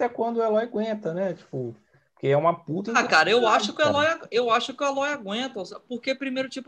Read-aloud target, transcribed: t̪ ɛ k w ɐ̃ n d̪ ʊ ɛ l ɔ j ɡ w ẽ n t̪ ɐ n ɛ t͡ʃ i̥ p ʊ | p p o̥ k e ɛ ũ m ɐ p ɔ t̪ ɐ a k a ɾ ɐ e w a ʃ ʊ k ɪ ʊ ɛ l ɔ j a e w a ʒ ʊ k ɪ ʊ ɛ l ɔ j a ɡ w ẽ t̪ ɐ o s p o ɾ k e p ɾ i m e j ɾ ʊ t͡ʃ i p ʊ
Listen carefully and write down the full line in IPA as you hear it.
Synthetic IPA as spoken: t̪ ɛ k w ɐ̃ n d̪ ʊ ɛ l ɔ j ɡ w ẽ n t̪ ɐ n ɛ t͡ʃ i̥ p ʊ | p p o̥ k e ɛ ũ m ɐ p u t̪ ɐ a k a ɾ ɐ e w a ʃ ʊ k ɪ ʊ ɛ l ɔ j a e w a ʃ ʊ k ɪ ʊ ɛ l ɔ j a ɡ w ẽ t̪ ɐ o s p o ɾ k e p ɾ i m e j ɾ ʊ t͡ʃ i p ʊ